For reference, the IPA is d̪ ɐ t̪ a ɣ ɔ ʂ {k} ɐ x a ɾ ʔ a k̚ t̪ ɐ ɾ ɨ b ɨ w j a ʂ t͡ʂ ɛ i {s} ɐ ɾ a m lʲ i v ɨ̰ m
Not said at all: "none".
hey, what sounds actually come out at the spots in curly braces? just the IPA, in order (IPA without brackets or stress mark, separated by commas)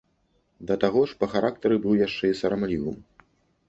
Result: p, s